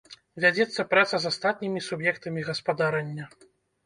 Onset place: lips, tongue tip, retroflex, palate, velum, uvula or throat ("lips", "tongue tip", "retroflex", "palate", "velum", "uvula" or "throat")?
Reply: lips